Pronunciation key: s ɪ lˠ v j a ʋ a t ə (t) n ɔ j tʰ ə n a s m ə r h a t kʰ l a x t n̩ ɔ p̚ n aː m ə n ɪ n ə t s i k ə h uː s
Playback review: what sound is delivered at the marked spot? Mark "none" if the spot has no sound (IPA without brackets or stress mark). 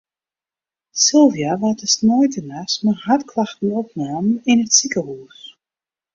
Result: s